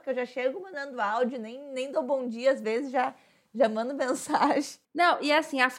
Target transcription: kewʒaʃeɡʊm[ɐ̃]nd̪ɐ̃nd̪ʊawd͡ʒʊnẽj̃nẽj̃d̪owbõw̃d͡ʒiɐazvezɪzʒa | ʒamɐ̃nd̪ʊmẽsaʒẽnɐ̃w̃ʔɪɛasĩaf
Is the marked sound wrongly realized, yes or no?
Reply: no